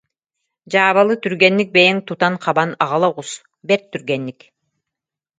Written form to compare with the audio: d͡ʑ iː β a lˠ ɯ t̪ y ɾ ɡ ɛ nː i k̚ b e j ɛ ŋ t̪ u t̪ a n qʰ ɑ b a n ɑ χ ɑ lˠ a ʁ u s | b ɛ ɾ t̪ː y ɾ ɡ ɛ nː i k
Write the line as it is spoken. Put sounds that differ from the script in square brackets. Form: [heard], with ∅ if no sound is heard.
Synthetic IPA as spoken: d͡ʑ [aː] β a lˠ ɯ t̪ y ɾ ɡ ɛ nː i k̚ b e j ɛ ŋ t̪ u t̪ a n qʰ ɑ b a n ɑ [ʁ] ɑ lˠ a ʁ u s | b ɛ ɾ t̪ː y ɾ ɡ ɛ nː i k